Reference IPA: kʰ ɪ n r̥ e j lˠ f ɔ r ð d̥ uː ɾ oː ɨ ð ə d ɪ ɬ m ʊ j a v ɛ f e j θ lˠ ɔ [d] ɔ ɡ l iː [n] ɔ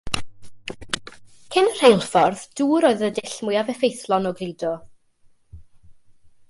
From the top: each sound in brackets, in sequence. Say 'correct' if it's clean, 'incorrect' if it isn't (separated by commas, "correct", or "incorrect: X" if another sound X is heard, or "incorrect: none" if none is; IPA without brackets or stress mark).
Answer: incorrect: n, incorrect: d